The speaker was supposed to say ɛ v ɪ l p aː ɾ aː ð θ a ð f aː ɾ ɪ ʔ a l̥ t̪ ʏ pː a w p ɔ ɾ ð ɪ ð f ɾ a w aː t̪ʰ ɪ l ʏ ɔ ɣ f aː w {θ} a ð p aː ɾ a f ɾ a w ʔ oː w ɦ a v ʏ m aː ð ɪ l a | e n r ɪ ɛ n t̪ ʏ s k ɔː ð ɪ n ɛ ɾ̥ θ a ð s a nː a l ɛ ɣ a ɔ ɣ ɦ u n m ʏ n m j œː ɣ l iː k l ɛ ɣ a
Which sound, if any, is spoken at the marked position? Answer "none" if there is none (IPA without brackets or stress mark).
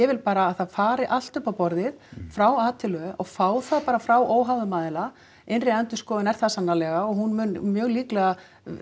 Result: θ